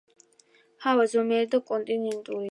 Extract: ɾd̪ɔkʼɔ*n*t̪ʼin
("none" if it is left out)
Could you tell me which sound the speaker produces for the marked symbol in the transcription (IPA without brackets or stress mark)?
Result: n